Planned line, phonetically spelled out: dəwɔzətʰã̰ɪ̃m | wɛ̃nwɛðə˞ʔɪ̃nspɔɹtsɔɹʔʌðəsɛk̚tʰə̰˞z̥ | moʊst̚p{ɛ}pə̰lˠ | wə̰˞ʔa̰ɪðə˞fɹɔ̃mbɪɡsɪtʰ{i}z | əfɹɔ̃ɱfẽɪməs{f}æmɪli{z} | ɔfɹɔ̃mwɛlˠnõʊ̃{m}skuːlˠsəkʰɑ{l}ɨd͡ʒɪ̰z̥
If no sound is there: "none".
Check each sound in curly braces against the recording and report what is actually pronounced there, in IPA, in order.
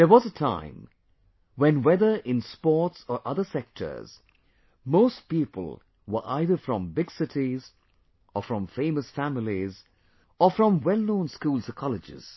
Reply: i, i, f, z, n, l

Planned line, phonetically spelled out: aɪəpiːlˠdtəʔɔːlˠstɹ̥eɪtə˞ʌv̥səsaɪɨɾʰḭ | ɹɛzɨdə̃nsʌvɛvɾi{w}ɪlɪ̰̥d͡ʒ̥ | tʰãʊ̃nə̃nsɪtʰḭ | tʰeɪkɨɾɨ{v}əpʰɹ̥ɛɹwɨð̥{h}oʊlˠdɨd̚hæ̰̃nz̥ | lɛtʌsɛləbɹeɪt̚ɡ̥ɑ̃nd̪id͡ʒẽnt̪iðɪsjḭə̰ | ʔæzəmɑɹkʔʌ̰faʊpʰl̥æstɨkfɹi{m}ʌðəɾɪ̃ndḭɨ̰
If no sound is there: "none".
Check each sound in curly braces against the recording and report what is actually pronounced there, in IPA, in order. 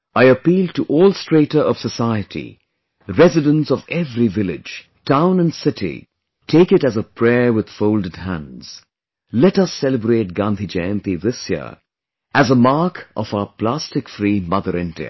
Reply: v, z, f, m

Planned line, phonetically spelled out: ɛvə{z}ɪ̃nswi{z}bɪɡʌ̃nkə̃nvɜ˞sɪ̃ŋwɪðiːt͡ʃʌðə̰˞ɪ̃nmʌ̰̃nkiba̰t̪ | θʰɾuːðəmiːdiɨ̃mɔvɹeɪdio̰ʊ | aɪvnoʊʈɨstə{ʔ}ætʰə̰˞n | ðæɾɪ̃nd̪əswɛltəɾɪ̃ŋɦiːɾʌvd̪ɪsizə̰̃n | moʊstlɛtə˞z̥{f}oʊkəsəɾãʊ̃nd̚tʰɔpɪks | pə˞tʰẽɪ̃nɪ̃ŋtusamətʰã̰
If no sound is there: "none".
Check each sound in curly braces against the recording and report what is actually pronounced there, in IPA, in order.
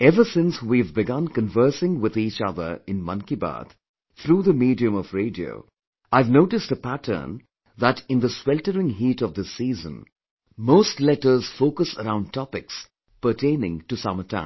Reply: s, v, p, f

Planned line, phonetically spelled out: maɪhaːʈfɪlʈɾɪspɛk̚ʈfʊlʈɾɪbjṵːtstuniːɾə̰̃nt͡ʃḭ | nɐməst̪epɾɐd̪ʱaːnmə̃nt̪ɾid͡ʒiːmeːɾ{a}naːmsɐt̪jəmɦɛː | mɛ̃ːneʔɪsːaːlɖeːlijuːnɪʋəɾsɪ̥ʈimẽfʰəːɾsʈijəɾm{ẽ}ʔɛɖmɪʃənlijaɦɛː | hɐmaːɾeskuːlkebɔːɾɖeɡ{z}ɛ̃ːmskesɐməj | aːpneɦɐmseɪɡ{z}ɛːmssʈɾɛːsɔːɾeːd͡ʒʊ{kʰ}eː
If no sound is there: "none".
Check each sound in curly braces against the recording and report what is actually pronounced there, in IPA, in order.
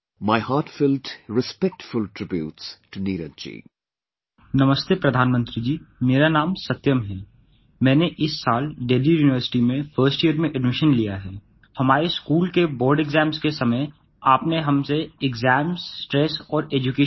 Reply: a, ẽ, z, z, k

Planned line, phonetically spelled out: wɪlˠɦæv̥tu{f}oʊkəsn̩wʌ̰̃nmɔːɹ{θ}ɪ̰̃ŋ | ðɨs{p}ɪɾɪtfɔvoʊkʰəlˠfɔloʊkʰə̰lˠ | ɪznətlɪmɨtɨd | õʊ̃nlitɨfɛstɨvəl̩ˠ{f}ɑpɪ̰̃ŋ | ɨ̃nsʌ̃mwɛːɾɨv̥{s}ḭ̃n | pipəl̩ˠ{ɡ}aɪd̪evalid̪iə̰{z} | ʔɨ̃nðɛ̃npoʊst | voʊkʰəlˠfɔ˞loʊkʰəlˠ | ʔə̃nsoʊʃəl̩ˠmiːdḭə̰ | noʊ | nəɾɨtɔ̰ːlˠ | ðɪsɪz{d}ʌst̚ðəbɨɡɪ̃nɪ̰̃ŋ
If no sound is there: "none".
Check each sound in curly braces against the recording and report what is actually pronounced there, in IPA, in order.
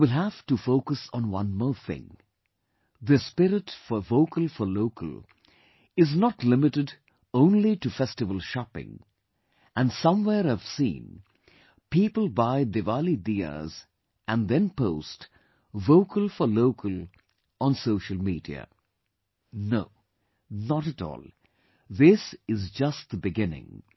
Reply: f, θ, p, ʃ, s, b, z, d͡ʒ

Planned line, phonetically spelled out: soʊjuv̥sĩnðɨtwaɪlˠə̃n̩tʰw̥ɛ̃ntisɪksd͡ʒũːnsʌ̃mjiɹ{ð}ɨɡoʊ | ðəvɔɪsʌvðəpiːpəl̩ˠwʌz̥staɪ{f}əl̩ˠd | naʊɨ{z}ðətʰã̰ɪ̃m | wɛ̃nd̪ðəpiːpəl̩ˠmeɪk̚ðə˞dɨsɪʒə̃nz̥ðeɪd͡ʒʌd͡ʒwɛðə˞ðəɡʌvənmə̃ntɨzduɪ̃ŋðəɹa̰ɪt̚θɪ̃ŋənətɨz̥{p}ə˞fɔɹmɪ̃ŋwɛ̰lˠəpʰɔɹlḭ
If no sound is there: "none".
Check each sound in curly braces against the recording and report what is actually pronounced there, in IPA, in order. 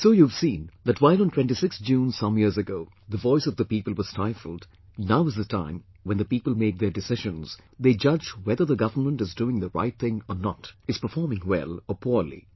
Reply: z, f, z, p

